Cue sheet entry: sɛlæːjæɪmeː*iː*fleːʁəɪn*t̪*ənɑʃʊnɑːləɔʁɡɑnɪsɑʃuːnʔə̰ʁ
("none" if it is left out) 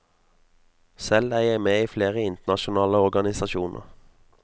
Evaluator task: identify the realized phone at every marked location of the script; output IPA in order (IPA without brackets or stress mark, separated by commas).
iː, t̪